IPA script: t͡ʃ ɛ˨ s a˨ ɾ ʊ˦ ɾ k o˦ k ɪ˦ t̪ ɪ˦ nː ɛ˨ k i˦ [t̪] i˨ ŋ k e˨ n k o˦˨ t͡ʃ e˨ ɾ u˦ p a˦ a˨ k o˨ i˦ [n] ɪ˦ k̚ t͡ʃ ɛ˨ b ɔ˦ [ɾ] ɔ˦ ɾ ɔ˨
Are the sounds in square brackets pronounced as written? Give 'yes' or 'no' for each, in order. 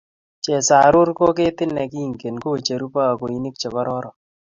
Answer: no, yes, yes

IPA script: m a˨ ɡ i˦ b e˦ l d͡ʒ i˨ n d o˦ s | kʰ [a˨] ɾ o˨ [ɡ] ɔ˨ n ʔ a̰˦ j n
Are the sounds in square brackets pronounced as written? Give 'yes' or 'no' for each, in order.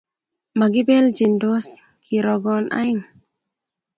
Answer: no, yes

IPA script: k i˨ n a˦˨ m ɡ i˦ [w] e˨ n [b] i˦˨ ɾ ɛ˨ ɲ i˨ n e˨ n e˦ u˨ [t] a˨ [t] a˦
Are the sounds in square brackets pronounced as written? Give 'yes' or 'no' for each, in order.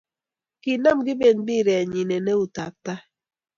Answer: no, yes, yes, yes

